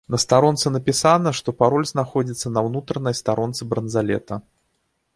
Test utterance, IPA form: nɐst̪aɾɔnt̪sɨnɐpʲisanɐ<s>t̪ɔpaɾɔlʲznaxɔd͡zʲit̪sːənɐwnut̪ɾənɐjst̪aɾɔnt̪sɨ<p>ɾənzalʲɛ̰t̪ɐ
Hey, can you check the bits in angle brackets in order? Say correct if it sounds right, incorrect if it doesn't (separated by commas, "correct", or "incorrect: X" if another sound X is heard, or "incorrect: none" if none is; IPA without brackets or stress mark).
incorrect: ʂ, incorrect: b